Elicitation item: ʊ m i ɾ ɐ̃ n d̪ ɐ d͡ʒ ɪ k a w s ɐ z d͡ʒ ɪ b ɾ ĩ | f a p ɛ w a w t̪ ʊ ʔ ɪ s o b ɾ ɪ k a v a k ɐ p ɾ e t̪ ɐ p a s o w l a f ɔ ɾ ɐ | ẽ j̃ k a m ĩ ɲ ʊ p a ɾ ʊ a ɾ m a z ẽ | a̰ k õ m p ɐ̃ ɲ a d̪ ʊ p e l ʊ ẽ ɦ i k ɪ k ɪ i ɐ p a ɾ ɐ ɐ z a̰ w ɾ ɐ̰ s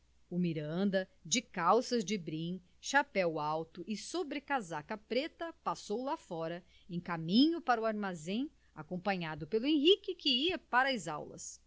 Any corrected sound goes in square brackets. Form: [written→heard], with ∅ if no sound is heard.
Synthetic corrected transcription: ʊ m i ɾ ɐ̃ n d̪ ɐ d͡ʒ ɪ k a w s ɐ z d͡ʒ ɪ b ɾ ĩ | [f→ʃ] a p ɛ w a w t̪ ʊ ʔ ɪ s o b ɾ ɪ k a [v→z] a k ɐ p ɾ e t̪ ɐ p a s o w l a f ɔ ɾ ɐ | ẽ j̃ k a m ĩ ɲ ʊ p a ɾ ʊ a ɾ m a z ẽ | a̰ k õ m p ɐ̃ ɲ a d̪ ʊ p e l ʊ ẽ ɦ i k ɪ k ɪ i ɐ p a ɾ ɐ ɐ z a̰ w [ɾ→l] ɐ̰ s